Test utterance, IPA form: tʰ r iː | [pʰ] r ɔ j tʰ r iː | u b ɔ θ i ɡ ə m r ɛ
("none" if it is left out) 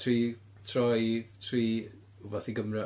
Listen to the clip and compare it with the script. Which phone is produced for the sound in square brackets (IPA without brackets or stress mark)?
tʰ